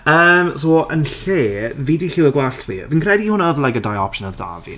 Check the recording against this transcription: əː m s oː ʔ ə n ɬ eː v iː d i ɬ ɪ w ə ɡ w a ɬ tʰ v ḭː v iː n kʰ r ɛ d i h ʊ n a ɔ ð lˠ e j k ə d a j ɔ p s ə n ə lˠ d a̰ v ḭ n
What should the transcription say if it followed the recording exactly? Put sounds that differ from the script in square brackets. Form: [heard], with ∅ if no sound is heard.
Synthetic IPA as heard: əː m s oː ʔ ə n ɬ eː v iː d i ɬ ɪ w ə ɡ w a ɬ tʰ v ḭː v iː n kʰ r ɛ d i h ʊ n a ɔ ð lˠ [a] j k ə d a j ɔ p [ʃ] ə n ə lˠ d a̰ v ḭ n